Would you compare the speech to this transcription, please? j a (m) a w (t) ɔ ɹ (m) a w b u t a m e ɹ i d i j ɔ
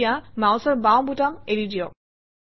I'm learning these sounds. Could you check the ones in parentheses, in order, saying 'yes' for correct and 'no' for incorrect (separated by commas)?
yes, no, no